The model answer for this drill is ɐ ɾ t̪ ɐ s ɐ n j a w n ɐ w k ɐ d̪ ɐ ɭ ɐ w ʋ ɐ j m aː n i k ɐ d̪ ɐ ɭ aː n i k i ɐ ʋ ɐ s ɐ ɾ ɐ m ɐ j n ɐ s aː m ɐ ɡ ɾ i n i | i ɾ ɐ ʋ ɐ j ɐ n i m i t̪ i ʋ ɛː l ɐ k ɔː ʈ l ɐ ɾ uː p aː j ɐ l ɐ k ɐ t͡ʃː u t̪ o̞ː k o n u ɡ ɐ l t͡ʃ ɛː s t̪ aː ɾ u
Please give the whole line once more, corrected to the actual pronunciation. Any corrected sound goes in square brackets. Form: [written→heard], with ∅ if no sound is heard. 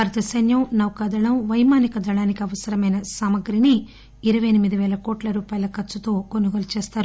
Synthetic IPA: ɐ ɾ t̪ ɐ s ɐ n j [a→ɐ] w n ɐ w k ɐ d̪ ɐ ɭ ɐ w ʋ ɐ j m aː n i k ɐ d̪ ɐ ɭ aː n i k i ɐ ʋ ɐ s ɐ ɾ ɐ m ɐ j n ɐ s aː m ɐ ɡ ɾ i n i | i ɾ ɐ ʋ ɐ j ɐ n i m i [t̪→d̪] i ʋ ɛː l ɐ k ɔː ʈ l ɐ ɾ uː p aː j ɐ l ɐ k ɐ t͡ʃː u t̪ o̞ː k o n u ɡ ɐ l t͡ʃ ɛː s t̪ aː ɾ u

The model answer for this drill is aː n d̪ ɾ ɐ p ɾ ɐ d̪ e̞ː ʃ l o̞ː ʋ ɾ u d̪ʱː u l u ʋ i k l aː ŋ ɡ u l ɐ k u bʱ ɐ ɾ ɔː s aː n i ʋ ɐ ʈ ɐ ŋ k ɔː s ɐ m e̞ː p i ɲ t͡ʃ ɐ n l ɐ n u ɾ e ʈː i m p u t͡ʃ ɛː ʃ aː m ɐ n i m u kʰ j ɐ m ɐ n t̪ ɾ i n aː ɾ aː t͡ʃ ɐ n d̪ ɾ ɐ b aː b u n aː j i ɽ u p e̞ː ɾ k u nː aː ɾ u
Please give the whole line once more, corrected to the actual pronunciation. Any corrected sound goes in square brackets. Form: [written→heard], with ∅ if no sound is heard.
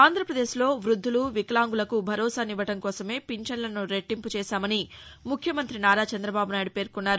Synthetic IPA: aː n d̪ ɾ ɐ p ɾ ɐ d̪ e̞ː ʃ l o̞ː ʋ ɾ u d̪ʱː u l u ʋ i k l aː ŋ ɡ u l ɐ k u bʱ ɐ ɾ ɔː s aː n i ʋ ɐ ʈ ɐ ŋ k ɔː s ɐ m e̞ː p i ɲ t͡ʃ ɐ n l ɐ n u ɾ e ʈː i m p u t͡ʃ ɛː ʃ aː m ɐ n i m u kʰ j ɐ m ɐ n t̪ ɾ i n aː ɾ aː t͡ʃ ɐ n d̪ ɾ ɐ b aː b u n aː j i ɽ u p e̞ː ɾ k u nː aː ɾ u

